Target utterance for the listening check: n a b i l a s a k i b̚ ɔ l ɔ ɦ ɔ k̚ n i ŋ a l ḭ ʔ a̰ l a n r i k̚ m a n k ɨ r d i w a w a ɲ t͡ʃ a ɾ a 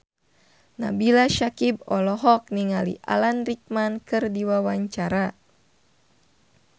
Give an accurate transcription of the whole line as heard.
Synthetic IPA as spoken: n a b i l a ʃ a k i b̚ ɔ l ɔ ɦ ɔ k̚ n i ŋ a l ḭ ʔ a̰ l a n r i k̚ m a n k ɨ r d i w a w a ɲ t͡ʃ a ɾ a